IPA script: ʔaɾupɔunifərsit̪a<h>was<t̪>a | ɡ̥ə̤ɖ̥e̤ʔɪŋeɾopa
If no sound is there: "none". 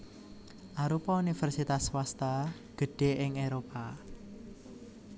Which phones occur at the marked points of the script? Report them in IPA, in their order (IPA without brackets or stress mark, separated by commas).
s, t̪